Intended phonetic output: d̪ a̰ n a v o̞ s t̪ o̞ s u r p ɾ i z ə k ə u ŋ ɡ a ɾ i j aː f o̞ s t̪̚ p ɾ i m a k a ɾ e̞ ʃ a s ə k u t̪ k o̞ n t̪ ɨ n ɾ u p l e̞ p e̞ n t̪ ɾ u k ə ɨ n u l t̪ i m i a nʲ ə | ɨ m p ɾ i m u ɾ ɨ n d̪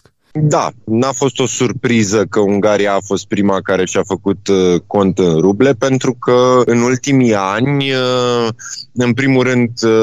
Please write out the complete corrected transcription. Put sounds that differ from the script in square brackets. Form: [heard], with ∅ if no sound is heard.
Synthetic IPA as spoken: d̪ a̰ n a [f] o̞ s t̪ o̞ s u r p ɾ i z ə k ə u ŋ ɡ a ɾ i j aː f o̞ s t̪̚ p ɾ i m a k a ɾ e̞ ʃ a [f] ə k u t̪ k o̞ n t̪ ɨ n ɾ u [b] l e̞ p e̞ n t̪ ɾ u k ə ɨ n u l t̪ i m i a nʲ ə | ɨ [n] p ɾ i m u ɾ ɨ n d̪